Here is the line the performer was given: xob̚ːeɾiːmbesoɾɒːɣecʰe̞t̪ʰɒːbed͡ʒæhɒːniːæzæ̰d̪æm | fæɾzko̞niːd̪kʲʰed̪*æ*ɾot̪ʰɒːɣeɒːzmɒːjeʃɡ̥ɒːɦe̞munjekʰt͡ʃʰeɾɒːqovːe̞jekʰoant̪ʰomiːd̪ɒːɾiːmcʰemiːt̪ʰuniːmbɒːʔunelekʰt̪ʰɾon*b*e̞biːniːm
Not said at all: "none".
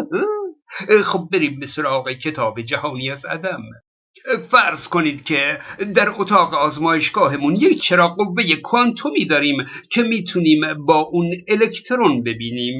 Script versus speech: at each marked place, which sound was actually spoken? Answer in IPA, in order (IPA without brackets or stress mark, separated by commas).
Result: æ, b